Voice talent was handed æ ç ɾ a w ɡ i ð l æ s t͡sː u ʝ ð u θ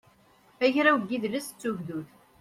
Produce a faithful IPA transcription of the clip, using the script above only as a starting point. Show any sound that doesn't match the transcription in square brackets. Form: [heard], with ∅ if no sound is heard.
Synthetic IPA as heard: æ ç ɾ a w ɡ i ð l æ s t͡sː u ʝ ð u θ